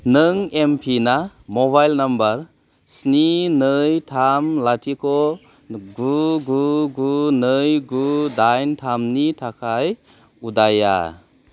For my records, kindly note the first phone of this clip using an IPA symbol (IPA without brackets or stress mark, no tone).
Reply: n